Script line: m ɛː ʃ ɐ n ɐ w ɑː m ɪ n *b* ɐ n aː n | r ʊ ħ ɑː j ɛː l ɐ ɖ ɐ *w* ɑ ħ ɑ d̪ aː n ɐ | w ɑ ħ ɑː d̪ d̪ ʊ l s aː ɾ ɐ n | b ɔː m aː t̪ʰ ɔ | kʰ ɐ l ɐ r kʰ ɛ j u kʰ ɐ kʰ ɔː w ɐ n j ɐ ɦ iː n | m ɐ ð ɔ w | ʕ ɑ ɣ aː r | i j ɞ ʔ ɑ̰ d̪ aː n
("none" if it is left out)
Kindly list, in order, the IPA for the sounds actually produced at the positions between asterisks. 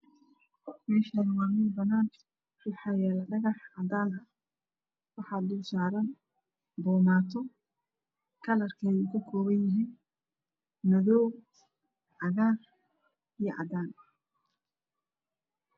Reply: b, ɣ

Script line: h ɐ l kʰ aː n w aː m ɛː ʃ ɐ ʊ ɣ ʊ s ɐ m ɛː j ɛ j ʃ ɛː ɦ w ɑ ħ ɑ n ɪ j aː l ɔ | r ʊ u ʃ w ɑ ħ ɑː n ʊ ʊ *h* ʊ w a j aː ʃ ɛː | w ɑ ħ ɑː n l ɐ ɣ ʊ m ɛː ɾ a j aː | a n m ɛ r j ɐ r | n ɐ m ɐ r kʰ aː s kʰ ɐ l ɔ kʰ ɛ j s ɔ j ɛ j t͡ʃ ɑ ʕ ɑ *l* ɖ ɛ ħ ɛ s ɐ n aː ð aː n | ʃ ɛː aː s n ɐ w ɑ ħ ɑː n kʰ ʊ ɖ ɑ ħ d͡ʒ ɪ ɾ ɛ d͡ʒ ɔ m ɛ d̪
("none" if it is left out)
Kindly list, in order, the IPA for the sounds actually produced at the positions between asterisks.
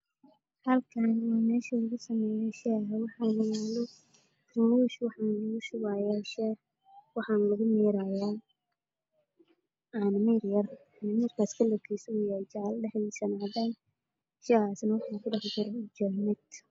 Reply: ʃ, l

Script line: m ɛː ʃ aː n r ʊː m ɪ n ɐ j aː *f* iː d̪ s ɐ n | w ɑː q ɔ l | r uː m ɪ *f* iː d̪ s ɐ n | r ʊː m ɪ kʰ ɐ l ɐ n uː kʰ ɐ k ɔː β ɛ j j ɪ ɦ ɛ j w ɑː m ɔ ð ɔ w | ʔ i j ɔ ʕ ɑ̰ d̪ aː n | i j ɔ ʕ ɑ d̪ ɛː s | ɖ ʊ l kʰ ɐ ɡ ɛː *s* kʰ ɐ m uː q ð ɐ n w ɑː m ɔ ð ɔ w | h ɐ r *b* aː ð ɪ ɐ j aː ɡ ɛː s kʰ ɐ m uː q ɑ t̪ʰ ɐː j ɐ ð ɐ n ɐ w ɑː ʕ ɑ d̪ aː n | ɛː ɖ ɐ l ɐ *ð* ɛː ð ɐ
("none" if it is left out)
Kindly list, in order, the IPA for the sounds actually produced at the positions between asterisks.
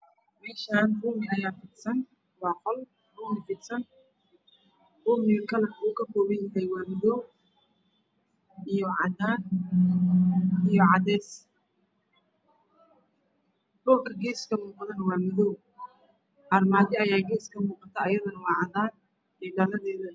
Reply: f, f, s, m, ð

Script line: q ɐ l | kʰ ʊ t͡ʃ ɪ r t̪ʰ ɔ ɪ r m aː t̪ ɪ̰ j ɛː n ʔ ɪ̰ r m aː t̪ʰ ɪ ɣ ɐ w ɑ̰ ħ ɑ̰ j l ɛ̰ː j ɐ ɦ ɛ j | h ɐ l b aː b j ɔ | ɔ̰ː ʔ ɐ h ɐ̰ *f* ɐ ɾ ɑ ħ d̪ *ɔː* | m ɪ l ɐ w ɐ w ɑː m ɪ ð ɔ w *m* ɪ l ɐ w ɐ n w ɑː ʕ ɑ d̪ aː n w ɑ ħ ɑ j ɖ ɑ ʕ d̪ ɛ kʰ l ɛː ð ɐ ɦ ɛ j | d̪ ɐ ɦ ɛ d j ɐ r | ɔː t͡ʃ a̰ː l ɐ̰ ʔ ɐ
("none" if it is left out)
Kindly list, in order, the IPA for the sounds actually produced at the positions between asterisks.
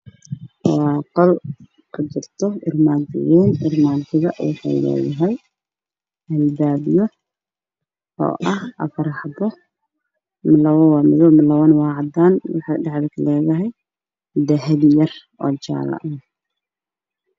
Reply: f, ɔ, m

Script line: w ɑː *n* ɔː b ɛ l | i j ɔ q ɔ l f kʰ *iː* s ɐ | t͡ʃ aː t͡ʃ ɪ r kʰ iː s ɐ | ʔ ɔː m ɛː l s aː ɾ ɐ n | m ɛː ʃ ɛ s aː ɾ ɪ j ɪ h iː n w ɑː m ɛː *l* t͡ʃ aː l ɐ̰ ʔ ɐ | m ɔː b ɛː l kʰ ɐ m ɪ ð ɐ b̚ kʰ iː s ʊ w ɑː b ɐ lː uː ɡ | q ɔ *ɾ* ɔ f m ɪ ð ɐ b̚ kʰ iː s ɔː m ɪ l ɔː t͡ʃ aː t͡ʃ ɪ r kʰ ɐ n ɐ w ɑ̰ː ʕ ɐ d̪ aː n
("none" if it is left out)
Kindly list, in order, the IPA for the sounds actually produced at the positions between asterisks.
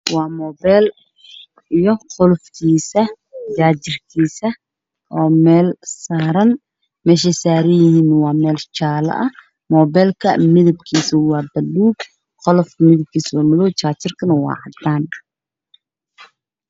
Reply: m, iː, l, l

